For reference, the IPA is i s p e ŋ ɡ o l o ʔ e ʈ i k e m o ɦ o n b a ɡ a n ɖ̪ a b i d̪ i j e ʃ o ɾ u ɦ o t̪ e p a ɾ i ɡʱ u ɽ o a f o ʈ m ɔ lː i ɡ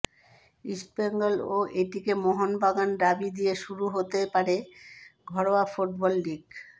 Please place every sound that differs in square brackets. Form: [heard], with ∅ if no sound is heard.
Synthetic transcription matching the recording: i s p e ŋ ɡ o l o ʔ e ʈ i k e m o ɦ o n b a ɡ a n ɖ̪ a b i d̪ i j e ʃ [u] ɾ u ɦ o t̪ e p a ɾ [e] ɡʱ [ɔ] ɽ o a f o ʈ [b] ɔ lː i ɡ